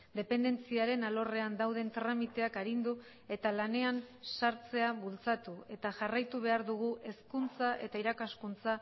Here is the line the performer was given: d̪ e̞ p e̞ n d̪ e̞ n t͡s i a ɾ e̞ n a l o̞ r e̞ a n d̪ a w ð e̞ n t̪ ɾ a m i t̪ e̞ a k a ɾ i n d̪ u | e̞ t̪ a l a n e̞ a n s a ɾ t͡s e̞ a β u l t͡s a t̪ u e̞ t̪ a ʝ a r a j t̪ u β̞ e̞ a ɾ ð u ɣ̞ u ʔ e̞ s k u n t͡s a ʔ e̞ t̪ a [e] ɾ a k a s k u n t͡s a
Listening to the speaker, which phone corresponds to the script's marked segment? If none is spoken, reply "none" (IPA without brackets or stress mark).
i